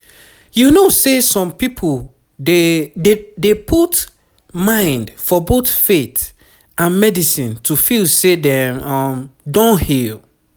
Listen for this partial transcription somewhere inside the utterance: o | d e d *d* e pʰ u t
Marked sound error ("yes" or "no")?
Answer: no